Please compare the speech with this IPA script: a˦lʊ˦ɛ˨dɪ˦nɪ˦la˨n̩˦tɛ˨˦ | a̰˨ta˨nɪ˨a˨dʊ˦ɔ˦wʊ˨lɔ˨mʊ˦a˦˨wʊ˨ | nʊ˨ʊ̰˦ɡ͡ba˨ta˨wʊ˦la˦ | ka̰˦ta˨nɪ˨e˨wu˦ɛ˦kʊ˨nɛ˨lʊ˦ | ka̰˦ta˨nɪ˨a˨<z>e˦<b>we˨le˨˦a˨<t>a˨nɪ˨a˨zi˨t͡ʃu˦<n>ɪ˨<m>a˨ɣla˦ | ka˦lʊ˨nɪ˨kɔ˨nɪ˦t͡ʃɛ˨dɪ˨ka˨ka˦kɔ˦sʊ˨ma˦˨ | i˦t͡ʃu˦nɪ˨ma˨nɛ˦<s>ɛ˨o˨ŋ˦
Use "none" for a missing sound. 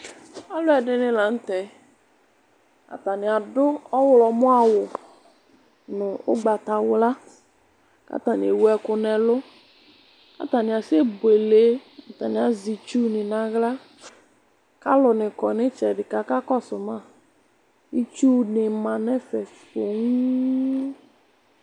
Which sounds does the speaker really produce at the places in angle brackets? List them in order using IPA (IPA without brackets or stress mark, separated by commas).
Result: s, b, t, n, n, f